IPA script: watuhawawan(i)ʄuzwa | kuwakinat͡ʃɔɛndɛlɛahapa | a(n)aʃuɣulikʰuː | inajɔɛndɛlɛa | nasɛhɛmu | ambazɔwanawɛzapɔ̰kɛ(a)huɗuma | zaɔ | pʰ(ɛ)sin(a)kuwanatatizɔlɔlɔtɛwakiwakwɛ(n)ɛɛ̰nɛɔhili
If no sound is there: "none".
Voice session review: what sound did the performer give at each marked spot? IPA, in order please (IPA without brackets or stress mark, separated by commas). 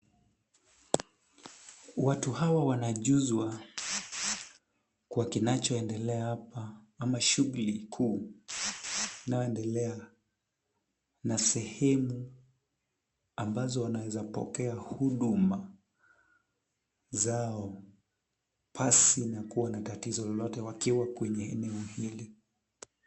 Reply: a, m, a, a, a, ɲ